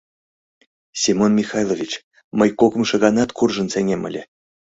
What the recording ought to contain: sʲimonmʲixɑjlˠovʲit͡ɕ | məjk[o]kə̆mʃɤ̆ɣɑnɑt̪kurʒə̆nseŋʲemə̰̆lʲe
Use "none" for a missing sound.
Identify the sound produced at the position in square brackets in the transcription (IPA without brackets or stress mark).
o